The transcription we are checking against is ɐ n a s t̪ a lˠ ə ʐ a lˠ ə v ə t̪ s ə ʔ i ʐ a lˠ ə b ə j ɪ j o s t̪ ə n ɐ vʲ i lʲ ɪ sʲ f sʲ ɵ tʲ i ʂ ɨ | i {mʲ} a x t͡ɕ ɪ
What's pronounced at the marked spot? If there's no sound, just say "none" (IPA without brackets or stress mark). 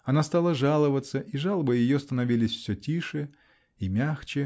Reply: mʲ